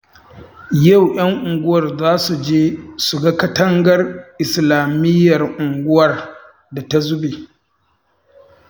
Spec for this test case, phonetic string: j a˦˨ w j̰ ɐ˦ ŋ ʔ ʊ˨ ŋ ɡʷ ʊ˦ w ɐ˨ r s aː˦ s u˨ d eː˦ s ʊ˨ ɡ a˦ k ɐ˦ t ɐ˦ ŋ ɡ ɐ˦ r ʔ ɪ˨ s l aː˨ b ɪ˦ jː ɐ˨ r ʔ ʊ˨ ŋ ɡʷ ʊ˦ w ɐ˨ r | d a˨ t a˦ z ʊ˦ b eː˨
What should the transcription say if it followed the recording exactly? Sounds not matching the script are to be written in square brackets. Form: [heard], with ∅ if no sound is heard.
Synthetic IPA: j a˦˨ w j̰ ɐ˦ ŋ ʔ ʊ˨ ŋ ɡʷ ʊ˦ w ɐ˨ r [z] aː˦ s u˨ [d͡ʒ] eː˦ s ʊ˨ ɡ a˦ k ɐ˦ t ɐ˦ ŋ ɡ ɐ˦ r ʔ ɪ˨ s l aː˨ [m] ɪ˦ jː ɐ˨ r ʔ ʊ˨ ŋ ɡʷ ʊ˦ w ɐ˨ r | d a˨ t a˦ z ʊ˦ b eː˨